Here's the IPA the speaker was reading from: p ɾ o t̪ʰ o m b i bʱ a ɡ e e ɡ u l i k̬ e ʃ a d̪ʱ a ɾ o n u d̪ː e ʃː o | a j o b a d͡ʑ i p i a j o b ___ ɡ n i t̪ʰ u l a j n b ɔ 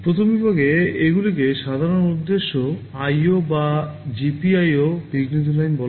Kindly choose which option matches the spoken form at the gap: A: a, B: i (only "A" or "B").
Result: B